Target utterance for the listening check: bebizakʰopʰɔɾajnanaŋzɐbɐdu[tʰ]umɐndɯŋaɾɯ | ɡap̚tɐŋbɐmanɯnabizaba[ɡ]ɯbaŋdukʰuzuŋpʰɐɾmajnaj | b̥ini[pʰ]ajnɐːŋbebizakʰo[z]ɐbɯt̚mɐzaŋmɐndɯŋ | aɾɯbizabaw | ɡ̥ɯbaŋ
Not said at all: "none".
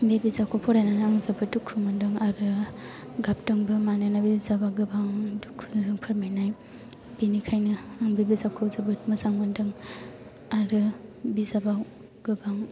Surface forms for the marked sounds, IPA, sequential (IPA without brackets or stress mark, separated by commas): kʰ, ɡ, kʰ, z